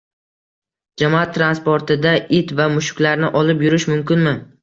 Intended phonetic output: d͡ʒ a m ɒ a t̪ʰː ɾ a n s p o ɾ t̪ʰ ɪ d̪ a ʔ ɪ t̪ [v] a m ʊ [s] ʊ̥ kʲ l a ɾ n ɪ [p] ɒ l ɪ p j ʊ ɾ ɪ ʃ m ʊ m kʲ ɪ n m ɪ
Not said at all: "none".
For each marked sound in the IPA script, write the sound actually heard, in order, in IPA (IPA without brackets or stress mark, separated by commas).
v, ʃ, ʔ